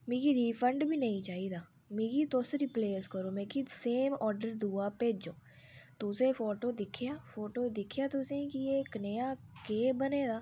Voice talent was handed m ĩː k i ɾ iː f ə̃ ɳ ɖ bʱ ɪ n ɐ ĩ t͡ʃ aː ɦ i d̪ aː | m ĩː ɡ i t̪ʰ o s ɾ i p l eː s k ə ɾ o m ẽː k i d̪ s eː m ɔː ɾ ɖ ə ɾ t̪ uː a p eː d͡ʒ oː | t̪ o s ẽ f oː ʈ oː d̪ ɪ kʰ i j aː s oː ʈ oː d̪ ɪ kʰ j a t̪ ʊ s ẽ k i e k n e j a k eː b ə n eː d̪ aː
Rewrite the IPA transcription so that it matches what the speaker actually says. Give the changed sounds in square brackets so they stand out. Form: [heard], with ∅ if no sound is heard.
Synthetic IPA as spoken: m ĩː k i ɾ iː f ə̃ ɳ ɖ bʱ [i] n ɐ ĩ t͡ʃ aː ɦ i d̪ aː | m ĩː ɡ i [t̪] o s ɾ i p l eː s k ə ɾ o m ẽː k i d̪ s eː m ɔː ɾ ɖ ə ɾ [d̪] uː a p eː d͡ʒ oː | t̪ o s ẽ f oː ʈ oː d̪ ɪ kʰ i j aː [f] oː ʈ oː d̪ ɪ kʰ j a t̪ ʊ s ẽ k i e k n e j a k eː b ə n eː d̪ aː